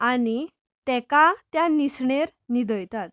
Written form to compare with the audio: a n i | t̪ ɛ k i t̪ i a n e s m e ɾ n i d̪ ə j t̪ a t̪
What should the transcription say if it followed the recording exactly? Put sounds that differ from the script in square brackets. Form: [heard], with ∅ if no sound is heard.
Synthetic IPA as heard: a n i | t̪ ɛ k [a] t̪ [j] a n [i] s [ɳ] e ɾ n i d̪ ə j t̪ a t̪